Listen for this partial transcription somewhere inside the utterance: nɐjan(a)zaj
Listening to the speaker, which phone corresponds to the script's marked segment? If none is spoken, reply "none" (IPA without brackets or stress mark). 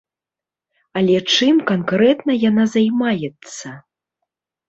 a